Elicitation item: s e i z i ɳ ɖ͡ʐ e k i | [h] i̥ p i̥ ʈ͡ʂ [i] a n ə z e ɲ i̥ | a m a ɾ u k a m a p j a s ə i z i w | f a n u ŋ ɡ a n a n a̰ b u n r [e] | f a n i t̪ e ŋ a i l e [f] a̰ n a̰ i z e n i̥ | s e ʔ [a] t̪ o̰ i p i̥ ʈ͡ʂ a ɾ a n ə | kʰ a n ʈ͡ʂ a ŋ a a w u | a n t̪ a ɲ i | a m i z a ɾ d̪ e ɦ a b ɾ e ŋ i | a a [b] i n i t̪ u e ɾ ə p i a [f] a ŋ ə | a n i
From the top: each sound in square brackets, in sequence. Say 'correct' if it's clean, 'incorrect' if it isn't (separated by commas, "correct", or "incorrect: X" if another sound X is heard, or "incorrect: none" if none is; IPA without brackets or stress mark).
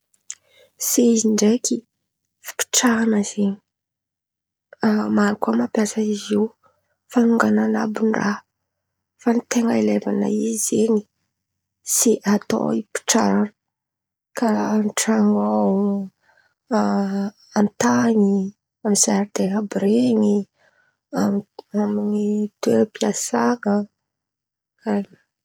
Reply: incorrect: f, incorrect: a, incorrect: a, incorrect: v, correct, incorrect: m, incorrect: s